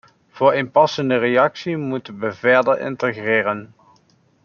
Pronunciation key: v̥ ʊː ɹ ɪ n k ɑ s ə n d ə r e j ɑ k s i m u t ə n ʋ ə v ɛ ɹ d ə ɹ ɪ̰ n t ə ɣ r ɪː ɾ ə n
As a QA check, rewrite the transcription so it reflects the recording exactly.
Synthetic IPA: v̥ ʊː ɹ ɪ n p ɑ s ə n d ə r e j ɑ k s i m u t ə n ʋ ə v ɛ ɹ d ə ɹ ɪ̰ n t ə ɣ r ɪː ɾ ə n